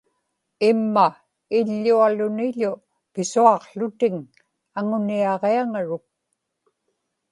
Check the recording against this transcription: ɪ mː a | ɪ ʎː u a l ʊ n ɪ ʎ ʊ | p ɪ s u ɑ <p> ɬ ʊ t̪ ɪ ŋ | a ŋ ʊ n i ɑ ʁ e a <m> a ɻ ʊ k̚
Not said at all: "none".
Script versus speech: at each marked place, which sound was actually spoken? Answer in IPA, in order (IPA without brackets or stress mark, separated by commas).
q, ŋ